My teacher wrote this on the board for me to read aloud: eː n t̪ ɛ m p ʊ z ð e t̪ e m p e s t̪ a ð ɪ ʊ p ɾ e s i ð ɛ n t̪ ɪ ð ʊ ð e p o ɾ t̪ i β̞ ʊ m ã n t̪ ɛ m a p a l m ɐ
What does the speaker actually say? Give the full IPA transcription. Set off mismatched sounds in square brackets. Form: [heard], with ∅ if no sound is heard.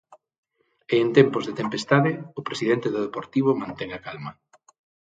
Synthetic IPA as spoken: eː n t̪ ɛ m p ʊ z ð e t̪ e m p e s t̪ a ð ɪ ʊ p ɾ e s i ð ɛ n t̪ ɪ ð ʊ ð e p o ɾ t̪ i β̞ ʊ m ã n t̪ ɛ [ŋ] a [k] a l m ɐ